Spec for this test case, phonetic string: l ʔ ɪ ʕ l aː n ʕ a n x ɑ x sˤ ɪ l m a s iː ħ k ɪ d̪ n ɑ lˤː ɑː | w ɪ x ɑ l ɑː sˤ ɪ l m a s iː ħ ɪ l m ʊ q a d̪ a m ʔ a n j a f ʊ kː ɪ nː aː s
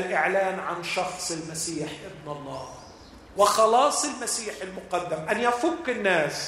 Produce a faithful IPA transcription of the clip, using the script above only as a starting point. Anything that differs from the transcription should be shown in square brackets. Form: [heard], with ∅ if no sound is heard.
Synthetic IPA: l ʔ ɪ ʕ l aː n ʕ a n [ʃ] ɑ x sˤ ɪ l m a s iː ħ [ʔ] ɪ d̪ n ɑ lˤː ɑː | w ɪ x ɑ l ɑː sˤ ɪ l m a s iː ħ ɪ l m ʊ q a [d̪ː] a m ʔ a n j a f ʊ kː ɪ nː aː s